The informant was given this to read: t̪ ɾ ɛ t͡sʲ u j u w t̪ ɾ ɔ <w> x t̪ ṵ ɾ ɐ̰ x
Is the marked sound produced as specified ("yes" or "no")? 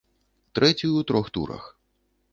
no